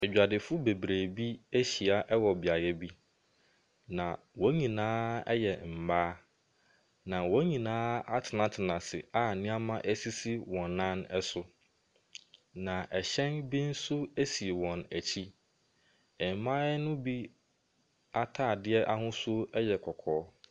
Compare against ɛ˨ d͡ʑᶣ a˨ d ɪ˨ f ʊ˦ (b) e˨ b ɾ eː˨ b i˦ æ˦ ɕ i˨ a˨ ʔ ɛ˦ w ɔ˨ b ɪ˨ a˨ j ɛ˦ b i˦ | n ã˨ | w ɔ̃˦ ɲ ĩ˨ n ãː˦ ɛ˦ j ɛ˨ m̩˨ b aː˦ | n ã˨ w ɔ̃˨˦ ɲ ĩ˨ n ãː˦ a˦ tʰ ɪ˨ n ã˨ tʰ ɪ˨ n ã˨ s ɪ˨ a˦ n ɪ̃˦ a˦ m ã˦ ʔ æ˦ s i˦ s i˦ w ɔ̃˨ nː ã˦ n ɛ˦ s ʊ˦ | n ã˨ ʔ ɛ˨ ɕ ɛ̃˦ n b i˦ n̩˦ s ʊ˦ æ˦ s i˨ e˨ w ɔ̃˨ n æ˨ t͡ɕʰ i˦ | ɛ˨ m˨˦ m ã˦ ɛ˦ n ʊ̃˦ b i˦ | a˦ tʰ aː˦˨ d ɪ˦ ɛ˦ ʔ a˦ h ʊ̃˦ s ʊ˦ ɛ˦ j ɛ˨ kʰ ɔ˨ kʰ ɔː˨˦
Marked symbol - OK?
yes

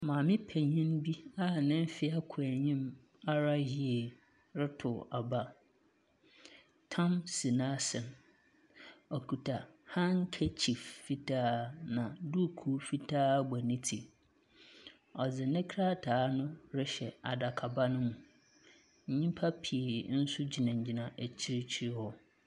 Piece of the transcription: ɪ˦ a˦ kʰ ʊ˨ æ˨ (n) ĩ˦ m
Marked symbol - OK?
no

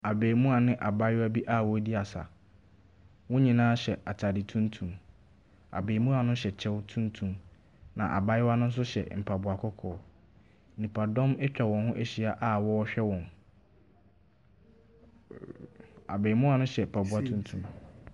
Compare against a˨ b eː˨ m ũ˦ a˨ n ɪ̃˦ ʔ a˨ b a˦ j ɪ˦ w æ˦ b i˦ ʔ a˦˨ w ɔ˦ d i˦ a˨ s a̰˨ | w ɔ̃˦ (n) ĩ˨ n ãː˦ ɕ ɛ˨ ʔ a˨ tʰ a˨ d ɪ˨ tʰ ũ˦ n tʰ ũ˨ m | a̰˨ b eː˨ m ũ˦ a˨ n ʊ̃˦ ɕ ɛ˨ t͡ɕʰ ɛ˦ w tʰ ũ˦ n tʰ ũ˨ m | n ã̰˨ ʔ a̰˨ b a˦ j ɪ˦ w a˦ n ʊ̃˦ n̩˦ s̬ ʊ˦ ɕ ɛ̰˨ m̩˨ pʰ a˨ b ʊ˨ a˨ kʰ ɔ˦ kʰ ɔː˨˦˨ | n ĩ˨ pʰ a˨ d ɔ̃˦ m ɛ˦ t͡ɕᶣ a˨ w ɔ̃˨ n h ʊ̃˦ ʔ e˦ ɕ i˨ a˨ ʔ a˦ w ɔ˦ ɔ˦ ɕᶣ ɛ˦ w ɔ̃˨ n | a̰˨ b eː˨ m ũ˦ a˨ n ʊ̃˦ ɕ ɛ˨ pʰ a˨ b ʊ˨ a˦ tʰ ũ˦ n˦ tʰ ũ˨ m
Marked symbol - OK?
no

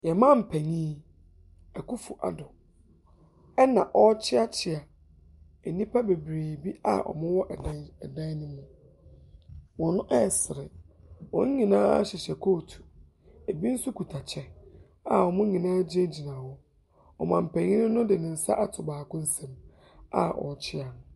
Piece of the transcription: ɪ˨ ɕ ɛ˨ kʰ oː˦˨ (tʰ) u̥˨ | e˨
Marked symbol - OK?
yes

